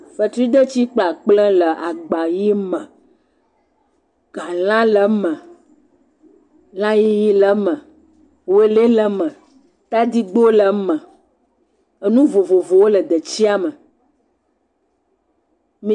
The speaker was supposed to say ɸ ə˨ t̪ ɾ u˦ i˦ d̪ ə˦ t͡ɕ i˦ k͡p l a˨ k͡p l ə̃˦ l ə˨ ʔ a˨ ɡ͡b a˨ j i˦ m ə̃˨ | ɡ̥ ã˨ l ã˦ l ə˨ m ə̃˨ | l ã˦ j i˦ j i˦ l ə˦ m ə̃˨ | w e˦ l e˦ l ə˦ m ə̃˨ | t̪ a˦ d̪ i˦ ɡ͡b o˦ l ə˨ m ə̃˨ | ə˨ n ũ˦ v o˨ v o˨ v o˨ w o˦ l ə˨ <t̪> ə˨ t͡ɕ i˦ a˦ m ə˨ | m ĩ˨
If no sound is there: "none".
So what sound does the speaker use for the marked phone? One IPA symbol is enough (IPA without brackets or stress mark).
d̪